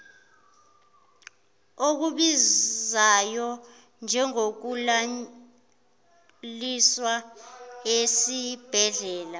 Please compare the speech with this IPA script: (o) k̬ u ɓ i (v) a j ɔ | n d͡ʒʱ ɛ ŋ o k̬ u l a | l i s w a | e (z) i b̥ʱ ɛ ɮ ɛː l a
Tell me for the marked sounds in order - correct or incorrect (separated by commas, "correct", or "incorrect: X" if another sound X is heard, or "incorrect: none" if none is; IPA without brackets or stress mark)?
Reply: correct, incorrect: z, incorrect: s